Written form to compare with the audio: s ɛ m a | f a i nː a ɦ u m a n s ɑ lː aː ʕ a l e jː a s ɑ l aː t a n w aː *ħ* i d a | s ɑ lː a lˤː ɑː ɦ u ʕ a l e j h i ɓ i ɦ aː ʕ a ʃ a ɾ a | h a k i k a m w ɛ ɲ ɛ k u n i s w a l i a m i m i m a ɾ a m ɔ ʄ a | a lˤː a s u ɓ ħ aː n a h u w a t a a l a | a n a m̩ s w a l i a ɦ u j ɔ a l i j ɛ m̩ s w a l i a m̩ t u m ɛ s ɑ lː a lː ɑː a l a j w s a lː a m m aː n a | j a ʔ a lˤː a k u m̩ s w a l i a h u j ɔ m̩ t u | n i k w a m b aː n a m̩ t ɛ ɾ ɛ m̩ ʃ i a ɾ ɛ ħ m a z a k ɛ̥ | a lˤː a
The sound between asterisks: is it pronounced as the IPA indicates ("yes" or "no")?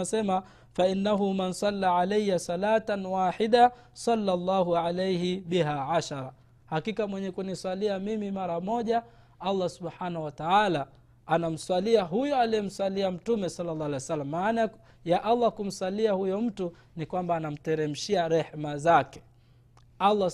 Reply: yes